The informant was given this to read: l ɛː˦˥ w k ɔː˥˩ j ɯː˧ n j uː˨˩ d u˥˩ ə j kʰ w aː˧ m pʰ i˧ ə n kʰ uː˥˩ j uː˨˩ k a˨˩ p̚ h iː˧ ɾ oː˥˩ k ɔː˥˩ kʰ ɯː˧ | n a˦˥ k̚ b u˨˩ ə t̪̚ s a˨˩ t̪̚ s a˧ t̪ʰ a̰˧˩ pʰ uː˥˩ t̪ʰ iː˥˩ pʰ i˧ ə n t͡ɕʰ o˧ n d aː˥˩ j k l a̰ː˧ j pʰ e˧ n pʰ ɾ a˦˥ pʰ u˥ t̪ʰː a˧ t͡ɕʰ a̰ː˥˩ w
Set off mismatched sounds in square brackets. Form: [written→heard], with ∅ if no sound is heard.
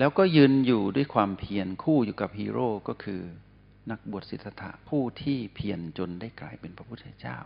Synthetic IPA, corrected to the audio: l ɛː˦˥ w k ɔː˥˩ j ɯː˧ n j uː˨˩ d u˥˩ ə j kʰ w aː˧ m pʰ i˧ ə n kʰ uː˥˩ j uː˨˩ k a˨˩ p̚ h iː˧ ɾ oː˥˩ k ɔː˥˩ kʰ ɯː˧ | n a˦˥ k̚ b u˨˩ ə t̪̚ s [a˨˩→i˨˩] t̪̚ s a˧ t̪ʰ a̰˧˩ pʰ uː˥˩ t̪ʰ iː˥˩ pʰ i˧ ə n [t͡ɕʰ→t͡ɕ] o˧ n d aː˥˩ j k l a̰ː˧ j [pʰ→p] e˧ n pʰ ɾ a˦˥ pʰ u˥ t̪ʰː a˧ [t͡ɕʰ→t͡ɕ] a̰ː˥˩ w